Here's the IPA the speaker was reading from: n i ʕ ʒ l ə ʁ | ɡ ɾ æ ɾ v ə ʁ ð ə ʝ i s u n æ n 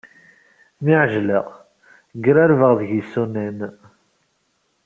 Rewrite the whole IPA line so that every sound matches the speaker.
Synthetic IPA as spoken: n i ʕ ʒ l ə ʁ | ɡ ɾ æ ɾ v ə ʁ ð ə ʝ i s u n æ n